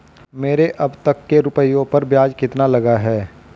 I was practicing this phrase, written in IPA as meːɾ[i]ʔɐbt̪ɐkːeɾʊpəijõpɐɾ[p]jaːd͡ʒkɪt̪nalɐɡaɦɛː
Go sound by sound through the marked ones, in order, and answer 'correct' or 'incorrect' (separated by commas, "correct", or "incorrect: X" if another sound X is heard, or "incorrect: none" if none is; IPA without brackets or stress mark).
incorrect: e, incorrect: b